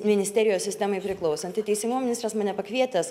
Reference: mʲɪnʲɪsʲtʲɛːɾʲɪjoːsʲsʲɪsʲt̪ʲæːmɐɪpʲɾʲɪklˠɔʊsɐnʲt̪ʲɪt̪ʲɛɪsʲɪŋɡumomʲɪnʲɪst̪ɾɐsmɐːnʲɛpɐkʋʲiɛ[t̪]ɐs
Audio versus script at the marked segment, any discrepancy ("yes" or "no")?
no